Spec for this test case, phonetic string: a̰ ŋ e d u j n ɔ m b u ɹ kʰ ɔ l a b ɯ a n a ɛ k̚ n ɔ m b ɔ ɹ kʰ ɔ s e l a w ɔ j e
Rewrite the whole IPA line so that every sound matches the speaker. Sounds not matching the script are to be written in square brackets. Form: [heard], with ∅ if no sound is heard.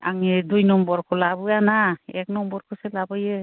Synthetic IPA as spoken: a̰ ŋ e d u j n ɔ m b [ɔ] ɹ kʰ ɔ l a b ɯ a n a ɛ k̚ n ɔ m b ɔ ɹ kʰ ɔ s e l a [b] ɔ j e